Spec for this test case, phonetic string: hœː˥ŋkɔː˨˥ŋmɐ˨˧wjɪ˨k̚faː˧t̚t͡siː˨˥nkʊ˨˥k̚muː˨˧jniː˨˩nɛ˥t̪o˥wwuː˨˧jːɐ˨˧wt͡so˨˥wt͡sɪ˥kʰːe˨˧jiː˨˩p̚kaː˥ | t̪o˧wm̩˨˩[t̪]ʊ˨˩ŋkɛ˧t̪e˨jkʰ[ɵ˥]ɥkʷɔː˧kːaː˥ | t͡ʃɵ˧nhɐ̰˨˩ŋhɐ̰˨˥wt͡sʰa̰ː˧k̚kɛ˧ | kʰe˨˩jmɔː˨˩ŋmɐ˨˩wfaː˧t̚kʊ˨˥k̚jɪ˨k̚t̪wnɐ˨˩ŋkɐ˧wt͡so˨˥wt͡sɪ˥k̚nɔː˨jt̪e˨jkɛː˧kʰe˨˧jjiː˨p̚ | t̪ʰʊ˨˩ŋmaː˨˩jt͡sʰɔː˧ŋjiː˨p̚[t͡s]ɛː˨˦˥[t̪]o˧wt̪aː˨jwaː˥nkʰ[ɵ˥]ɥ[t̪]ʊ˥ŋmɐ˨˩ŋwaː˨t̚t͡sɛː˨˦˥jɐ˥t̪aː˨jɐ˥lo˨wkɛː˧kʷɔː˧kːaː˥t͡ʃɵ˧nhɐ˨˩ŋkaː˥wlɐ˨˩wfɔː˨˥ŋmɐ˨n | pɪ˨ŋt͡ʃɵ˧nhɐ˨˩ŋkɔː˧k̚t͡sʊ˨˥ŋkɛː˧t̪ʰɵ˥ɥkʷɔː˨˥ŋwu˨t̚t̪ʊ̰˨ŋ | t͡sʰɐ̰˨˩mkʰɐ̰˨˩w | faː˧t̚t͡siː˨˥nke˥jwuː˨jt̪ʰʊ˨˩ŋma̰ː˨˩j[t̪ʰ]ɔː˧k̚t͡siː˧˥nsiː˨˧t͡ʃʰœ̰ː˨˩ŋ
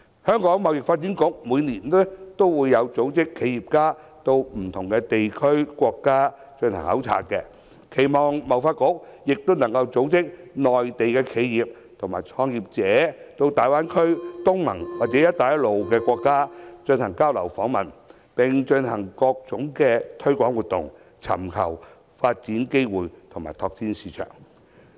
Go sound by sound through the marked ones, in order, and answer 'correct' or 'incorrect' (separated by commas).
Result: incorrect, correct, correct, correct, correct, correct, correct